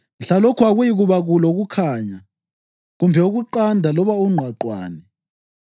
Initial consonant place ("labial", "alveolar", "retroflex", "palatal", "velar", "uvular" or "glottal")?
alveolar